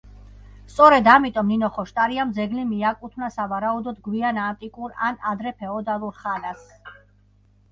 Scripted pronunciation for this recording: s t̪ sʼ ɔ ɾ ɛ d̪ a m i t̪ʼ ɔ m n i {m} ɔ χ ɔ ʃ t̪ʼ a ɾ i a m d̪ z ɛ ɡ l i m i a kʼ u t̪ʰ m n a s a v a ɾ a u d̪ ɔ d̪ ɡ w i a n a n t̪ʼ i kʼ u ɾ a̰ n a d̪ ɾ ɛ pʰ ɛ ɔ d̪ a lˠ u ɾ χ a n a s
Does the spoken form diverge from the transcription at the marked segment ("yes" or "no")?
yes